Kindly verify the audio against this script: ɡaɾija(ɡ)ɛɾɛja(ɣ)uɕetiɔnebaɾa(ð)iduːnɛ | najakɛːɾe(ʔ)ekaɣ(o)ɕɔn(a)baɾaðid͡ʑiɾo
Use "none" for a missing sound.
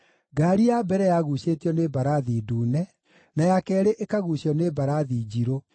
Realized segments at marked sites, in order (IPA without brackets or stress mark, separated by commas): b, ɣ, ð, ʔ, u, e